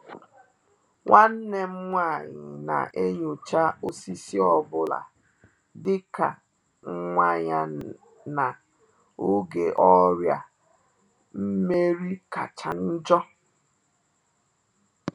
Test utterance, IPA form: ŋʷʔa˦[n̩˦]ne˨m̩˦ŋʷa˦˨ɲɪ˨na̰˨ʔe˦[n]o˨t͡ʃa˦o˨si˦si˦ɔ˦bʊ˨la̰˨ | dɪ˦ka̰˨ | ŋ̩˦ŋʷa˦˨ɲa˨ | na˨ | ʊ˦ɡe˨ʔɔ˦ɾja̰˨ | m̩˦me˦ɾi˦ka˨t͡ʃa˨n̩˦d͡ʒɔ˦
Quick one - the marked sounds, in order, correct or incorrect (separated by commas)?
correct, incorrect